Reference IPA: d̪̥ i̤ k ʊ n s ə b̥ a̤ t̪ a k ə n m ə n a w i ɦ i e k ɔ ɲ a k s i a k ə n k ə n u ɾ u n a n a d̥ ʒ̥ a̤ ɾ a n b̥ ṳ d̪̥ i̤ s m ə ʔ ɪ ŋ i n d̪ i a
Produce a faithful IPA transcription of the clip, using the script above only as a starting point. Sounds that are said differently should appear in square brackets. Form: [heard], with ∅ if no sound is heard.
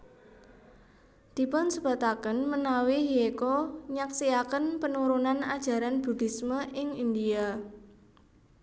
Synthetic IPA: d̪̥ i̤ [p] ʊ n s ə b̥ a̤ t̪ a k ə n m ə n a w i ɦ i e k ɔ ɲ a k s i a k ə n [p] ə n u ɾ u n a n a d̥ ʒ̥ a̤ ɾ a n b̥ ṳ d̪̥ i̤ s m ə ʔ ɪ ŋ i n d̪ i a